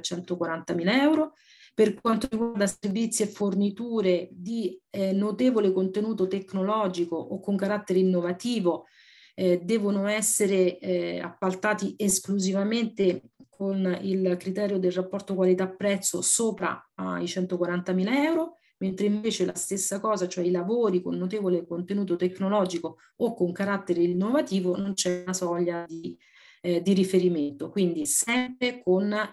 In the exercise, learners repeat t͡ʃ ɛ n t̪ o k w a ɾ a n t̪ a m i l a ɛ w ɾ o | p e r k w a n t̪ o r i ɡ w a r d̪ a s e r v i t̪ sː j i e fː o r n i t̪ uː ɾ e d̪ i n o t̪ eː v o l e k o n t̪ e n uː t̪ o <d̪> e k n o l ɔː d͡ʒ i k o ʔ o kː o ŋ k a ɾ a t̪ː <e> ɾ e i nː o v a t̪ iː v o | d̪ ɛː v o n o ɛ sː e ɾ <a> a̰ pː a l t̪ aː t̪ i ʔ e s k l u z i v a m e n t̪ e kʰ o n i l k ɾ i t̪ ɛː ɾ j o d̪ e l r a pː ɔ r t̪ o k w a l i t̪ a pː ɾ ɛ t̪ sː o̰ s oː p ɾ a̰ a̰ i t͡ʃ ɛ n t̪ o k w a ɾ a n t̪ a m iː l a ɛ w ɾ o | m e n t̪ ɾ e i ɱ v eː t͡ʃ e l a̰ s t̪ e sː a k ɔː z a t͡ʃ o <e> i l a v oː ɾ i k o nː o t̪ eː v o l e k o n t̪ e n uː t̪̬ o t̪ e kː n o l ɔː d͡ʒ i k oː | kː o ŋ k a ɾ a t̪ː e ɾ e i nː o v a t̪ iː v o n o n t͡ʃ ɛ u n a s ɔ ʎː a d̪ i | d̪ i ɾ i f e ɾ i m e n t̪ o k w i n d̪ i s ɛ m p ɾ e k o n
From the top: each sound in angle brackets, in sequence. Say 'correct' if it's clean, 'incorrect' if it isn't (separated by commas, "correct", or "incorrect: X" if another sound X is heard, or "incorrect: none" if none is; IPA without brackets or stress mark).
incorrect: t̪, correct, incorrect: e, incorrect: ɛ